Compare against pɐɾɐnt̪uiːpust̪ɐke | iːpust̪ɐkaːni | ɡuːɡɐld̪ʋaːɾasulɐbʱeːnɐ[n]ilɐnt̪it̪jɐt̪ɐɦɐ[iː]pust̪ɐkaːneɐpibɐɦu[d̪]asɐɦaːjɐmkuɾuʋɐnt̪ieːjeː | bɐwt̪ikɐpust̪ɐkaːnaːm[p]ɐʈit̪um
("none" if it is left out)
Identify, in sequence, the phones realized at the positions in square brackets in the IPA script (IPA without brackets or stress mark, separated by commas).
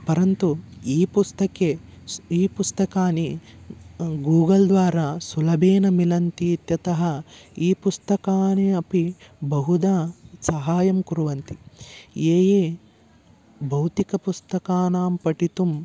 m, iː, d̪, p